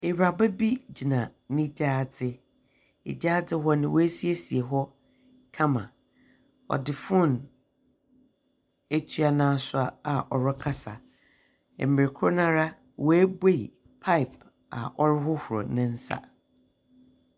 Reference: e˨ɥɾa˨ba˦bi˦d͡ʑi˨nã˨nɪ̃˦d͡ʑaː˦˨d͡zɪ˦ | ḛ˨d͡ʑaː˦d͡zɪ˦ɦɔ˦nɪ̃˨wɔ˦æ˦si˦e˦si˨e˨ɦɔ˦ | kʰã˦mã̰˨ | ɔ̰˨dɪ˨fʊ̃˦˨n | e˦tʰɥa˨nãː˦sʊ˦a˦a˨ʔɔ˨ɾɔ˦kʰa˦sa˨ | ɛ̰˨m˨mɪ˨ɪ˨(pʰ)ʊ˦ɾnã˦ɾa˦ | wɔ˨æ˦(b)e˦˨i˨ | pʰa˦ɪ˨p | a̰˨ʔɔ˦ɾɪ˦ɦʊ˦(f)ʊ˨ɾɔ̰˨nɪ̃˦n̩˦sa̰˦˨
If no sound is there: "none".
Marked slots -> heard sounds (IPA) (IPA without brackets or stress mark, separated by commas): kʰ, b, h